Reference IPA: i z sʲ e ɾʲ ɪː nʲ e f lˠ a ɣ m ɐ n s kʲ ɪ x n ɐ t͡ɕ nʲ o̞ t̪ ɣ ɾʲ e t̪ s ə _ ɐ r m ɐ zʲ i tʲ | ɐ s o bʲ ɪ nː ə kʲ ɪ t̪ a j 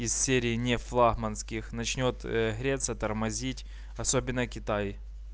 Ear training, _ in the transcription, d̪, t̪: t̪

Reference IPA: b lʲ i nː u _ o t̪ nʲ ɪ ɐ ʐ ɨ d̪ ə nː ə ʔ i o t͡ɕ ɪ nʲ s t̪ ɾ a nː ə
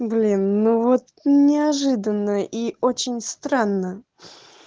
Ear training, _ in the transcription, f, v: v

